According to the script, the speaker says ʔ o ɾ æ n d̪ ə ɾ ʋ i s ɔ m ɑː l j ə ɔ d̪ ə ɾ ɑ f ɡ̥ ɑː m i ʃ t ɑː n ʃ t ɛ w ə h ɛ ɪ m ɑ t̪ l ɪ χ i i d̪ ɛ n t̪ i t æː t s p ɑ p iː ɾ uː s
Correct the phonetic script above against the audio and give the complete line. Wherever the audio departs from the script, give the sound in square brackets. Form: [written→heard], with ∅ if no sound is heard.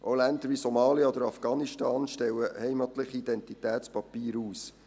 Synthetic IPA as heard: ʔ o [ɾ→l] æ n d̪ ə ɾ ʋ i s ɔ m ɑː l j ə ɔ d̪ ə ɾ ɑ f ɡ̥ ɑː [m→n] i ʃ t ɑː n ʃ t ɛ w ə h ɛ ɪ m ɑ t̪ l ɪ χ i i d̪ ɛ n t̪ i t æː t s p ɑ p iː ɾ uː s